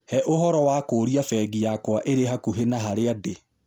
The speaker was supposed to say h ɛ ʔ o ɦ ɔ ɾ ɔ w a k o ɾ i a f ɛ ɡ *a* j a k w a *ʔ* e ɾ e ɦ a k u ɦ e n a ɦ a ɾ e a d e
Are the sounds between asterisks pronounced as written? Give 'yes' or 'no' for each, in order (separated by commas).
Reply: no, yes